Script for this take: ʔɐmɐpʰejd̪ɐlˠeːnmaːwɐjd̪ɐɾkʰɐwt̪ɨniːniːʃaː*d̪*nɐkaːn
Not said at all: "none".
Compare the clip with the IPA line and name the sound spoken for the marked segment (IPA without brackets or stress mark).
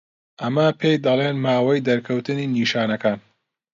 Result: none